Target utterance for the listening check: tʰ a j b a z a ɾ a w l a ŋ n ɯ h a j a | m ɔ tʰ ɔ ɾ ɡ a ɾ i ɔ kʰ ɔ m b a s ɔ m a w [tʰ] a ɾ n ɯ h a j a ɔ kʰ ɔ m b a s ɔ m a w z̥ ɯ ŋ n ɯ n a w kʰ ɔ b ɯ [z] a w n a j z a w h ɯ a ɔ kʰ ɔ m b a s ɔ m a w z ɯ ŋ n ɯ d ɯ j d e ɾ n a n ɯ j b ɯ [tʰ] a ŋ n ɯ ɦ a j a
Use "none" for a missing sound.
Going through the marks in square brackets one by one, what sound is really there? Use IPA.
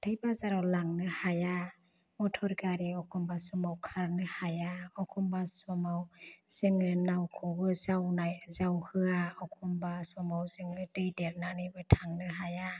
kʰ, z, tʰ

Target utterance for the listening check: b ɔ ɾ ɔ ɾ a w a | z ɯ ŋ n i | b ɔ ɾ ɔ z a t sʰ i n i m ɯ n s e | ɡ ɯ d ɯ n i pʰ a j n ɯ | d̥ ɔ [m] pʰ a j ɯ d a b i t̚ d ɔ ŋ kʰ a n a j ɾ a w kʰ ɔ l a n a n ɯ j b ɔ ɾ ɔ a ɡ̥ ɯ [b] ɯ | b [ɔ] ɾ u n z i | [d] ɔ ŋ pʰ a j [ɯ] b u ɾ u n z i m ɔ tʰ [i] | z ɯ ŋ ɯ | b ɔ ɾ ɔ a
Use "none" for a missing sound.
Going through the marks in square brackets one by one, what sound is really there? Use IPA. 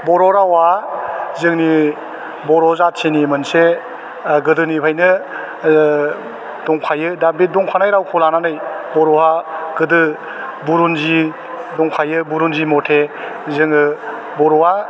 ŋ, d, u, d, ɯ, e

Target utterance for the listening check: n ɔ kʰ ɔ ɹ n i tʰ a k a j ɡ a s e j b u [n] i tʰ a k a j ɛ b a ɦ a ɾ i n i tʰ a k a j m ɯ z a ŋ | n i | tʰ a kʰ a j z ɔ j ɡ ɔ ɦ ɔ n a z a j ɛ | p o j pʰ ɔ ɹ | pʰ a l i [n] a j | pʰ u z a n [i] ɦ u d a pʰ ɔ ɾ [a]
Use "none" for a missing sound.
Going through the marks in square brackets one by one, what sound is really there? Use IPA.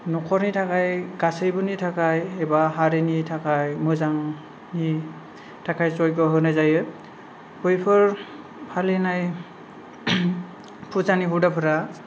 n, n, i, a

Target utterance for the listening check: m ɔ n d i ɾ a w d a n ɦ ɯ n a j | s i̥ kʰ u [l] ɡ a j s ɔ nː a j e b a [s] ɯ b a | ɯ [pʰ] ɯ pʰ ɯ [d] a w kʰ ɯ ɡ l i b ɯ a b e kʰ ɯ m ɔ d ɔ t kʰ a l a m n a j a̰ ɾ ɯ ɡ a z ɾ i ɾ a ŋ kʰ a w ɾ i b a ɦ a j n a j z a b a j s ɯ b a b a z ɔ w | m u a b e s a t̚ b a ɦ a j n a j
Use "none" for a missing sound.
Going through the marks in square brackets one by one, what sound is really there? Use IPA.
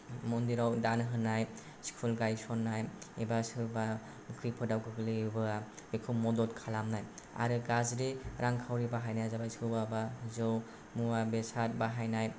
l, s, kʰ, d

